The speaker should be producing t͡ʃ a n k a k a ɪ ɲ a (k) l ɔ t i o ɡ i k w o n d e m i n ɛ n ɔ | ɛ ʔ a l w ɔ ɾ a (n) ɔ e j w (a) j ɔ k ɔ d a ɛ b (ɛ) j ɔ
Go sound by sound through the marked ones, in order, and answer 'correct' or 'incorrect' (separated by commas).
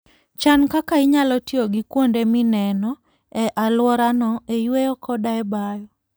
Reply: incorrect, correct, incorrect, incorrect